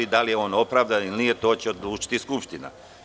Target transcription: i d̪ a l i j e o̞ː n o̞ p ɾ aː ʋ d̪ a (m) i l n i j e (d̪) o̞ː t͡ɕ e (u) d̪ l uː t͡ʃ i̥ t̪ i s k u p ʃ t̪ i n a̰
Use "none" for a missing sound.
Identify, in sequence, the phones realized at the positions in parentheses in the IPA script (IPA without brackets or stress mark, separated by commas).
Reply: n, t̪, o